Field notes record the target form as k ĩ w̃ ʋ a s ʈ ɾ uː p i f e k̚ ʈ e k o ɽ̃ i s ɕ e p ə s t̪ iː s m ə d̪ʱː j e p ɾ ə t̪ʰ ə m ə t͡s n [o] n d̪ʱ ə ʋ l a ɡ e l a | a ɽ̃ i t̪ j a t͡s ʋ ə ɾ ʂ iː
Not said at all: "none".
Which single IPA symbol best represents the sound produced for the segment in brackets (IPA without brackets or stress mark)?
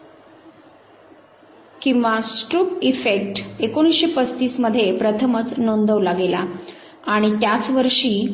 o